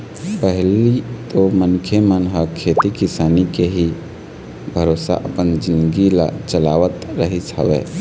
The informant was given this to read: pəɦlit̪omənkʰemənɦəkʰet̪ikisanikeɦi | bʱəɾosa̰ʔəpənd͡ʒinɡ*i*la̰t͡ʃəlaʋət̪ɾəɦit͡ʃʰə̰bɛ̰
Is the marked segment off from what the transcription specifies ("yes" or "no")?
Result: no